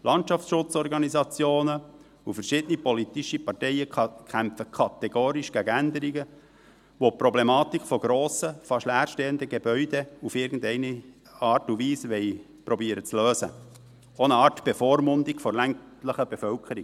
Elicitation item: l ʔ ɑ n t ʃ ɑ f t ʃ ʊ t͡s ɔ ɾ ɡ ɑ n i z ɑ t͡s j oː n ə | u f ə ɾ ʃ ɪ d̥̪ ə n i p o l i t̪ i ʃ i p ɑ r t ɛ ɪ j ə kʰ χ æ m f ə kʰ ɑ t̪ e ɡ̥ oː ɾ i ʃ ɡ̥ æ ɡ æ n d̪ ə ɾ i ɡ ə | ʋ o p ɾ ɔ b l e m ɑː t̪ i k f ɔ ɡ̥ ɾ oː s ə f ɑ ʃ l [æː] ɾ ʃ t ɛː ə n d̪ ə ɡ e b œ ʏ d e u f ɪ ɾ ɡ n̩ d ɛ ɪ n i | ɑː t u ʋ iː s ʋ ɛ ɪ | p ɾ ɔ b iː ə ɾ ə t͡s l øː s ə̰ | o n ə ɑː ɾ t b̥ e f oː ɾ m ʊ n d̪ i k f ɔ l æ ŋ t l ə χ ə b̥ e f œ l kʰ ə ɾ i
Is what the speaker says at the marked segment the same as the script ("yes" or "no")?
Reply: yes